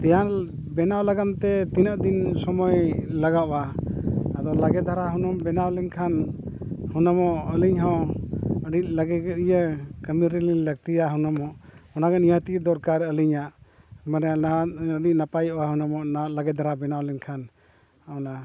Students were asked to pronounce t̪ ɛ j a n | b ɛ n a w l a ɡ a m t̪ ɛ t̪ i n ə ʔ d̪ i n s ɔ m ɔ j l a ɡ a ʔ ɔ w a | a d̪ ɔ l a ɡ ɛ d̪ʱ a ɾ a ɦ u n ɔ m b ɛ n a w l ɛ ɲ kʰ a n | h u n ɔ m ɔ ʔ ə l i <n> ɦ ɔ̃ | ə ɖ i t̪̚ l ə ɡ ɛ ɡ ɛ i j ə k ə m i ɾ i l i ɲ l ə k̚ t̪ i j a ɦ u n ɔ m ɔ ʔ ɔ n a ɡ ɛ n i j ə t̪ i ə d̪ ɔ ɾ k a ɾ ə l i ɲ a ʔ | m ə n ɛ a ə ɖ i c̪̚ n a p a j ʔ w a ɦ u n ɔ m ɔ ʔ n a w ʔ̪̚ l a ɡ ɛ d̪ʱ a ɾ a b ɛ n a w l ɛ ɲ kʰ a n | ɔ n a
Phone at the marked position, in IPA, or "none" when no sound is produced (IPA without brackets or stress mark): ɲ